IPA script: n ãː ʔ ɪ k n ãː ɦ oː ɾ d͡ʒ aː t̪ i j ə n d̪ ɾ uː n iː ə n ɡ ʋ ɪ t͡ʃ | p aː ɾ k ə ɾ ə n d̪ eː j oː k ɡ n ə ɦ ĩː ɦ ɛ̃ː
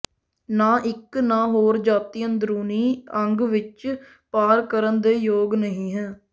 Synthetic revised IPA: n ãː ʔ ɪ k n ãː ɦ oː ɾ d͡ʒ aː t̪ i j ə n d̪ ɾ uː n iː ə ŋ ɡ ʋ ɪ t͡ʃ | p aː ɾ k ə ɾ ə n d̪ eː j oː ɡ n ə ɦ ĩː ɦ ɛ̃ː